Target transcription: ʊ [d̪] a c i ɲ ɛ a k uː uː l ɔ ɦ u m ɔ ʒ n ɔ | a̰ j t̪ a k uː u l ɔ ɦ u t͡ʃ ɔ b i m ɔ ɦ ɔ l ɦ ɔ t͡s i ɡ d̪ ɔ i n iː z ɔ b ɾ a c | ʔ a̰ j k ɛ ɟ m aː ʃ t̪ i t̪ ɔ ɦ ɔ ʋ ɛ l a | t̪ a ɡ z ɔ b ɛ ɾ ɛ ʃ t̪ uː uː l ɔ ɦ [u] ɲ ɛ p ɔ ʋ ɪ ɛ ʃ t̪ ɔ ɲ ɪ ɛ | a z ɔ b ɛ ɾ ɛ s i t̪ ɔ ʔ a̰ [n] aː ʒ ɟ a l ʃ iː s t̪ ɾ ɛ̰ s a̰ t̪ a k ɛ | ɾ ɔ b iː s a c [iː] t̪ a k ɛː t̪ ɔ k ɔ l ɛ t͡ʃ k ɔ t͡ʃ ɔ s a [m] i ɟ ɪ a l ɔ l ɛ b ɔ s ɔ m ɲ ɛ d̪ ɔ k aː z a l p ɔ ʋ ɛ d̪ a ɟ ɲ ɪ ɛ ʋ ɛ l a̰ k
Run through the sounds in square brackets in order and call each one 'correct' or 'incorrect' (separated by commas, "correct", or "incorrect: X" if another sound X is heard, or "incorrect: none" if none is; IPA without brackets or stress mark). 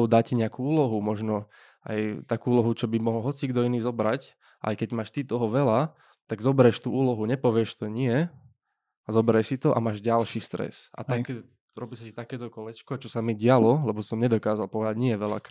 correct, correct, incorrect: m, incorrect: i, correct